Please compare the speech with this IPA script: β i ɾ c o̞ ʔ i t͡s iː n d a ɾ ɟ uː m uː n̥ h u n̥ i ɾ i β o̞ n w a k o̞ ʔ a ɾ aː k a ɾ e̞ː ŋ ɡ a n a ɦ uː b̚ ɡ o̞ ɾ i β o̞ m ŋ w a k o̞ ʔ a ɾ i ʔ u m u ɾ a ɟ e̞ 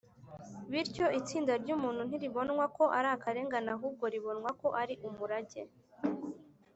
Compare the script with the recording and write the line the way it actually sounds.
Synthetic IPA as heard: β i ɾ c o̞ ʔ i t͡s iː n d a ɾ ɟ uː m uː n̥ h u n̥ i ɾ i β o̞ n w a k o̞ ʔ a ɾ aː k a ɾ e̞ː ŋ ɡ a n a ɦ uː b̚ ɡ o̞ ɾ i β o̞ n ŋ w a k o̞ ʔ a ɾ i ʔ u m u ɾ a ɟ e̞